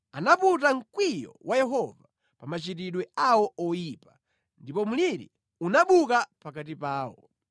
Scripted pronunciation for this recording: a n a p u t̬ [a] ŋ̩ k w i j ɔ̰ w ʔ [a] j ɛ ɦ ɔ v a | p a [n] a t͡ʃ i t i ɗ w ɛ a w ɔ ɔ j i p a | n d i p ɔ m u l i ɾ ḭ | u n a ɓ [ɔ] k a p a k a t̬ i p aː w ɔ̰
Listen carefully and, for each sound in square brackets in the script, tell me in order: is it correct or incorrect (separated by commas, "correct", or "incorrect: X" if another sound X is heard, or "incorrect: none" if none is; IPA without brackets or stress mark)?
correct, correct, incorrect: m, incorrect: u